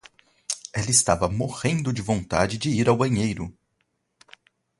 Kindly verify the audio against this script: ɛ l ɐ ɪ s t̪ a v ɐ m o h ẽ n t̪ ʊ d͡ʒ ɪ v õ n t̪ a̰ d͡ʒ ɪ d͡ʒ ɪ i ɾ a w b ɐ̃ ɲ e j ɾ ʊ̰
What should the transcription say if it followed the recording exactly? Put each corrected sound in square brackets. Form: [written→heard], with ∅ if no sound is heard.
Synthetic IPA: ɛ l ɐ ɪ s t̪ a v ɐ m o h ẽ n [t̪→d̪] ʊ d͡ʒ ɪ v õ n t̪ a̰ d͡ʒ ɪ d͡ʒ ɪ i ɾ a w b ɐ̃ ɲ e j ɾ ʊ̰